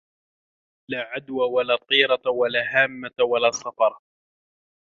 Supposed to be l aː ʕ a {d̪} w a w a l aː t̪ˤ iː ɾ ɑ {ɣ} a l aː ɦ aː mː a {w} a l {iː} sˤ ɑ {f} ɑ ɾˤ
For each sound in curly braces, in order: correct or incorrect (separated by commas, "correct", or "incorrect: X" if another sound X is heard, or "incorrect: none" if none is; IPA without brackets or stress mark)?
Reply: correct, incorrect: w, correct, incorrect: aː, correct